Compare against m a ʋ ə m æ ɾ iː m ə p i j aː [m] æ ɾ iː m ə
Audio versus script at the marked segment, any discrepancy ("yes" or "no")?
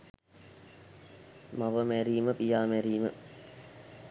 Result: no